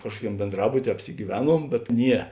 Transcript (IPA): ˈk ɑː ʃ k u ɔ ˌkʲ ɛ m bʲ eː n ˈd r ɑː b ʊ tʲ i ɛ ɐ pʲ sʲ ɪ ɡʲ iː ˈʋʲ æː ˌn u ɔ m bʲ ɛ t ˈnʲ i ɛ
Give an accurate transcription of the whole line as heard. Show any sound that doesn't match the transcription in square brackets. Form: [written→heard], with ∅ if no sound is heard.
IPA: ˈk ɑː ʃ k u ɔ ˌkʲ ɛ m bʲ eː n ˈd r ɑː b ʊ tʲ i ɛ ɐ pʲ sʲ ɪ ɡʲ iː ˈʋʲ æː ˌn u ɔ m bʲ ɛ t ˈnʲ i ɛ